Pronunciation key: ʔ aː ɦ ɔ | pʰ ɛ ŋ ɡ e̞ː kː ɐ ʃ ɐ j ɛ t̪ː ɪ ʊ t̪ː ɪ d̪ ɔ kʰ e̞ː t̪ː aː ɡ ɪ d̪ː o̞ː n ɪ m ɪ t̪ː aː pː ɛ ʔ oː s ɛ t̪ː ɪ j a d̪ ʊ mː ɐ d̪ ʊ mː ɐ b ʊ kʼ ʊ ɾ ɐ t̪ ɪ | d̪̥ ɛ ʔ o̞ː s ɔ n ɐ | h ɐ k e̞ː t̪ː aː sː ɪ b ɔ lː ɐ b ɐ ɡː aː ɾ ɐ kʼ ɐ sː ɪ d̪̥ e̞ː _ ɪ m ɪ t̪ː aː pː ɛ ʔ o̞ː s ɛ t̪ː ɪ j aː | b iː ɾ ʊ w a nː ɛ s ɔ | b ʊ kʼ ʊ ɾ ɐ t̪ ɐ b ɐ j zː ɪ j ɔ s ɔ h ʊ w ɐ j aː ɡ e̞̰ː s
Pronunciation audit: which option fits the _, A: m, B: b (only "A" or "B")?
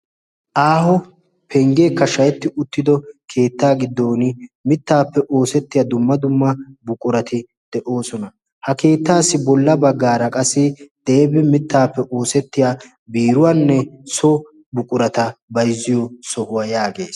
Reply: B